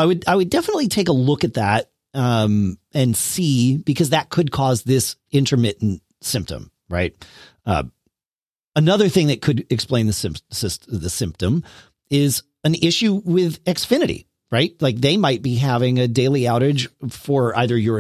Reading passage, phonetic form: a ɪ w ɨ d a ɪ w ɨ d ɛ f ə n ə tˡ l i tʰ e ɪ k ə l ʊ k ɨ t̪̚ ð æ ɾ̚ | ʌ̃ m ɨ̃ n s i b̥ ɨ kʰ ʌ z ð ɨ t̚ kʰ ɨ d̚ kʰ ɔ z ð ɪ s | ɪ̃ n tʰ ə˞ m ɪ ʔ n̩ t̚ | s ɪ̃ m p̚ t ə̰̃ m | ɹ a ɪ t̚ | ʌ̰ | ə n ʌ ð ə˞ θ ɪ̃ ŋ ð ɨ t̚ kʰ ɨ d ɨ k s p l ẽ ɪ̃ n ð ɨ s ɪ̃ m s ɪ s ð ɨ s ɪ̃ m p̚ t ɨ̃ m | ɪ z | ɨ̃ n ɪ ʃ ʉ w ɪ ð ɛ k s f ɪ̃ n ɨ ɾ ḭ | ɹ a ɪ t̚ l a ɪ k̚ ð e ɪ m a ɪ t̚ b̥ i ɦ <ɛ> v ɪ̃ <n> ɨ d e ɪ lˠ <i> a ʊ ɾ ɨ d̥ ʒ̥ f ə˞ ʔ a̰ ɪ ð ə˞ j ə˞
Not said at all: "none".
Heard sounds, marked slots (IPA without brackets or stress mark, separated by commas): æ, ŋ, i